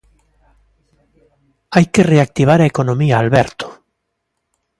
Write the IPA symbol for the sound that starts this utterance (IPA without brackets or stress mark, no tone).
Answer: a